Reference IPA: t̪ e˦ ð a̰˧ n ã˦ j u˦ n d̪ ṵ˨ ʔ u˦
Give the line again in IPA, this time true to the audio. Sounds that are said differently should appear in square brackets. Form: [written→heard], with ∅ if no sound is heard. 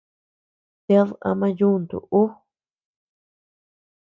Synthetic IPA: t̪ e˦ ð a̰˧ [n→m] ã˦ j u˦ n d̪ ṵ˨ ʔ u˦